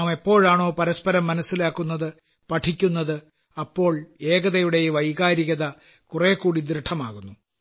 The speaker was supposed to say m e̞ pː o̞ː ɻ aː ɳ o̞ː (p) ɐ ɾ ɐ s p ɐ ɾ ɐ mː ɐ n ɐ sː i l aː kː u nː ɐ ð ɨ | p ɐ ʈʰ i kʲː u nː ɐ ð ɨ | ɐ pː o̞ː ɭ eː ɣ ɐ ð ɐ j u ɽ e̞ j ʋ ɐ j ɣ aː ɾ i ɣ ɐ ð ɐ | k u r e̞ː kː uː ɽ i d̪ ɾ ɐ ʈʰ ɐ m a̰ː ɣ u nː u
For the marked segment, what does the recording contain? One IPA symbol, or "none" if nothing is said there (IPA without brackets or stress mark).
p